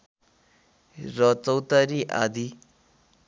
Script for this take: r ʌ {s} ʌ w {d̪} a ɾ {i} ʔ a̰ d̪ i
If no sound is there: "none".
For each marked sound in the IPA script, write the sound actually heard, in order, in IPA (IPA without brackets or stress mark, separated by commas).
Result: t͡s, t̪, i